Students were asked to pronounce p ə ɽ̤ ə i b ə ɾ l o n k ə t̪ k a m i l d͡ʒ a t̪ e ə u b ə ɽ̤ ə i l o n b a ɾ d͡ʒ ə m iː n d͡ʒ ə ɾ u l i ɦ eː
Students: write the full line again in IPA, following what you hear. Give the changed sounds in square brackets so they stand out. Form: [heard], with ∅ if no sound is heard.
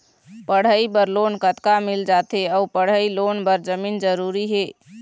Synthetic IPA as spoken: p ə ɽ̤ ə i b ə ɾ l o n k ə t̪ k a m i l d͡ʒ a t̪ e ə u [p] ə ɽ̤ ə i l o n b [ə] ɾ d͡ʒ ə m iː n d͡ʒ ə ɾ u [ɾ] i ɦ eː